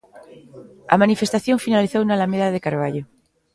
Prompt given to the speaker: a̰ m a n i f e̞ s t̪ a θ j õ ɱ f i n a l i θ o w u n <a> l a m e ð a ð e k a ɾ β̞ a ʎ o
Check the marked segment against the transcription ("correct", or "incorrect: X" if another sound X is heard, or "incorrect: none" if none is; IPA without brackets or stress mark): correct